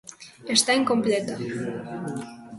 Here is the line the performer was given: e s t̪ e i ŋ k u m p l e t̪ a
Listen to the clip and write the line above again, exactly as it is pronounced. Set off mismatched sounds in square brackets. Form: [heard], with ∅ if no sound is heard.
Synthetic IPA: e s t̪ [a] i ŋ k [o] m p l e t̪ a

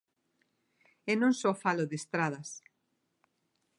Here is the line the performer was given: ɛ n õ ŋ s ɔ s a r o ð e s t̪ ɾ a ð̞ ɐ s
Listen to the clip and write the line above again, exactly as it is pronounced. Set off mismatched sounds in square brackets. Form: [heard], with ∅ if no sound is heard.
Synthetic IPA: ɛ n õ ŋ s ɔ [f] a [l] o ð e s t̪ ɾ a ð̞ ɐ s

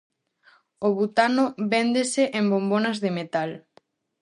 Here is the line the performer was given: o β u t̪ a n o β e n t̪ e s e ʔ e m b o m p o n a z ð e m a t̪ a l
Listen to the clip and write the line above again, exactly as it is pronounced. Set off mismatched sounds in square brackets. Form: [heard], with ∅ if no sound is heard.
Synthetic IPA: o β u t̪ a n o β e n [d̪] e s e ʔ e m b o m [b] o n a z ð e m [e] t̪ a l

